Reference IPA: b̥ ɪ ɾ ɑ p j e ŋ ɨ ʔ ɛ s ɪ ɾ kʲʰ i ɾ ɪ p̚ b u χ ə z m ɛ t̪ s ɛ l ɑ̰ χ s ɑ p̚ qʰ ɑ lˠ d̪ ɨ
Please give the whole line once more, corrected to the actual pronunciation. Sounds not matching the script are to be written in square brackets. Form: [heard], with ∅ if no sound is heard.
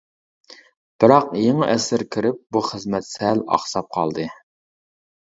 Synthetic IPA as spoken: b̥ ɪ ɾ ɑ [q] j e ŋ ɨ ʔ ɛ s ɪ ɾ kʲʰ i ɾ ɪ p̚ b u χ ə z m ɛ t̪ s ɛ l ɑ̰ χ s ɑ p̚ qʰ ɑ lˠ d̪ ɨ